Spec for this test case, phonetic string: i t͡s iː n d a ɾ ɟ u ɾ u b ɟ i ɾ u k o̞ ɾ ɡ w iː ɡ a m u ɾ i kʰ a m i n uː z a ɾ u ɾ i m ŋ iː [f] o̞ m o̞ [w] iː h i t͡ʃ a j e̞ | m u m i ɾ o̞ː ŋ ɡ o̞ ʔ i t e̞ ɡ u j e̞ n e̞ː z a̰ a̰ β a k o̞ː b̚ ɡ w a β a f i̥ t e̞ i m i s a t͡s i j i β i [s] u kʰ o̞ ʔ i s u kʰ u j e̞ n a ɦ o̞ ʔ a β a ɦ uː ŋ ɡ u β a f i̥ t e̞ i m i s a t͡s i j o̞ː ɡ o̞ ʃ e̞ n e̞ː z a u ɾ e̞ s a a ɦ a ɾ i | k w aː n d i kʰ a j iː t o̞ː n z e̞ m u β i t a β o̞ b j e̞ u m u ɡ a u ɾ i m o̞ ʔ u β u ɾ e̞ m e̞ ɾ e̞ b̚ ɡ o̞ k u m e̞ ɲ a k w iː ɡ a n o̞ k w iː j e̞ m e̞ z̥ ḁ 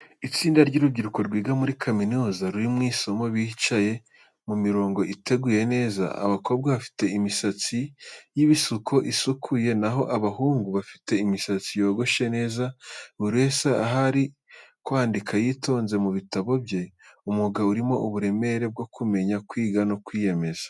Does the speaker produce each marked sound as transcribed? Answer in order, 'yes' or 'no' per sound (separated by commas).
no, no, yes